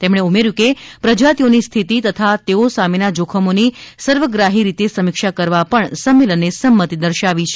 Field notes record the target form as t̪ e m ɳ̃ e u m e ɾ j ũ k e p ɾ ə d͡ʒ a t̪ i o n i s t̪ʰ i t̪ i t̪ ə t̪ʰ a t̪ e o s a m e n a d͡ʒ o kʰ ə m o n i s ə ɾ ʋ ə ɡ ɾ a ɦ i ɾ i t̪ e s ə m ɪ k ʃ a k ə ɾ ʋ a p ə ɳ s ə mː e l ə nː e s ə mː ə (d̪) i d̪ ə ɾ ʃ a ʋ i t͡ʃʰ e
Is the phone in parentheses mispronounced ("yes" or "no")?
yes